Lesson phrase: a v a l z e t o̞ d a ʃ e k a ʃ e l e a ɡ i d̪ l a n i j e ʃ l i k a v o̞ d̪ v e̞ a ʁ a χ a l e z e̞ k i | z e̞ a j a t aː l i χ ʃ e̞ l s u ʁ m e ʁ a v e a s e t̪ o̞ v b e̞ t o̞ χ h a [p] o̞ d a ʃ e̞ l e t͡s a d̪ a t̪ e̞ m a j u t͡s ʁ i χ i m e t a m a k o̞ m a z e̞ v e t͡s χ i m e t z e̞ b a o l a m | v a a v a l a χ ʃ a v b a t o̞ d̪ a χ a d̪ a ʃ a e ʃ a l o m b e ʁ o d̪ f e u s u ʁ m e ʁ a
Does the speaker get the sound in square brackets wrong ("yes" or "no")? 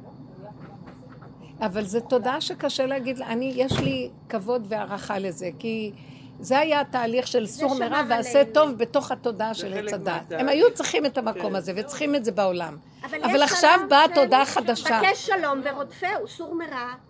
yes